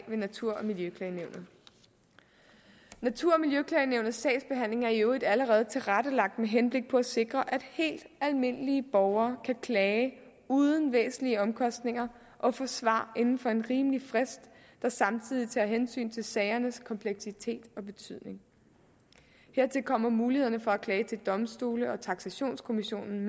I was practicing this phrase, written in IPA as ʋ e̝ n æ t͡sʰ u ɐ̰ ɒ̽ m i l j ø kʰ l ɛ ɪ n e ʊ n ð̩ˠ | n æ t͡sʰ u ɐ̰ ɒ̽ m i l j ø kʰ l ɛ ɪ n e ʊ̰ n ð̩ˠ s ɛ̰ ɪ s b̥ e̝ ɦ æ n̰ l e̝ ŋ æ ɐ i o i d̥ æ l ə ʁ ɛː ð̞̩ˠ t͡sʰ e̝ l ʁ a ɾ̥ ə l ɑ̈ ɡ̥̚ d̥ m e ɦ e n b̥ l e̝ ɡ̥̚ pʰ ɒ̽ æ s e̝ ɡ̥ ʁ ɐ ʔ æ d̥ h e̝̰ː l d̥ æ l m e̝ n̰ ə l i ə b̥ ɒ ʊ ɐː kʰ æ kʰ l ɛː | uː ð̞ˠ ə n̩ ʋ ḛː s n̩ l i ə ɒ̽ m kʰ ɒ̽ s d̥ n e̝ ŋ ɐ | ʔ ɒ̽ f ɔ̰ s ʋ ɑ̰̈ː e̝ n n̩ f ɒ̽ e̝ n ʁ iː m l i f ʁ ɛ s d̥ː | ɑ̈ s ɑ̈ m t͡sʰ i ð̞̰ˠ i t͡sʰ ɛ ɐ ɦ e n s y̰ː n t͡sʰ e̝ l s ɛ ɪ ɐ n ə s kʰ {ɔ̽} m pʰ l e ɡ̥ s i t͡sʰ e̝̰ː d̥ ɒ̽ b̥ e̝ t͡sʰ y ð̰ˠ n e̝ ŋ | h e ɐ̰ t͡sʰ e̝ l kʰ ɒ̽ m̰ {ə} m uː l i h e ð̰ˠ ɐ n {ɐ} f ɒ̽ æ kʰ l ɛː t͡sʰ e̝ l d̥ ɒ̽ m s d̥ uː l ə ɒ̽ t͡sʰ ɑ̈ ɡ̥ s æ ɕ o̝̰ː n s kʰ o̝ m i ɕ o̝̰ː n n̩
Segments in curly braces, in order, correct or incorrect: incorrect: ɒ̽, incorrect: ɐ, incorrect: ə

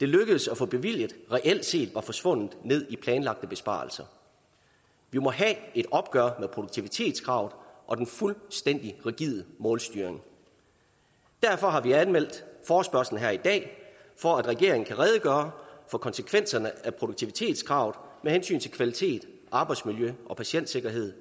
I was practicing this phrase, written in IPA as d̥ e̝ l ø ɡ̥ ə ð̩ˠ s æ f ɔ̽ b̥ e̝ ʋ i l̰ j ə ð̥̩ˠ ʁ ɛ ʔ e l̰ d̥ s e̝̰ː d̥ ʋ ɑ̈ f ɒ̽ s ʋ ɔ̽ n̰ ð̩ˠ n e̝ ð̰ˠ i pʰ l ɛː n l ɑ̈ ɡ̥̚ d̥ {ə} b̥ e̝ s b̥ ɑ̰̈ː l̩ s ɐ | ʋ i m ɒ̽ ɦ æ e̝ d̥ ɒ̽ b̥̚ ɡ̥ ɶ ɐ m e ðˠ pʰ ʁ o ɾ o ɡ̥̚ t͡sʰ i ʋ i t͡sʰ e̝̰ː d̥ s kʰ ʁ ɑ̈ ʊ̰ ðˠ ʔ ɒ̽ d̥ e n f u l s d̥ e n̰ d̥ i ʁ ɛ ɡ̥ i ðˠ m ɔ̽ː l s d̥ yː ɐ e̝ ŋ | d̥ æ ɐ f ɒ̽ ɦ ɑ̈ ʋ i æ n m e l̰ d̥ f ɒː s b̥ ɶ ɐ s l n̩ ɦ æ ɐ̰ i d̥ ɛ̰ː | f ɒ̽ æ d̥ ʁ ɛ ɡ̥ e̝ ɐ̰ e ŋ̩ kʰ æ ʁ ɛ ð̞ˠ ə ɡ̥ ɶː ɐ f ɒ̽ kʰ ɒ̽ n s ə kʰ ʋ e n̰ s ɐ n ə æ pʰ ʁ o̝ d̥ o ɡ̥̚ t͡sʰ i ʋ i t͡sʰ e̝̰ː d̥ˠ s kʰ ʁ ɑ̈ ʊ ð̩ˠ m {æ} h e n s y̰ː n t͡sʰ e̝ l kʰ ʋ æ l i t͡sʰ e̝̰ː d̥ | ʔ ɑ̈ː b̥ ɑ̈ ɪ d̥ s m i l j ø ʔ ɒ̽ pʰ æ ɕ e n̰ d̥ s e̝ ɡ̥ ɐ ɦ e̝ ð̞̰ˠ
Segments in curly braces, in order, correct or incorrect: correct, incorrect: e

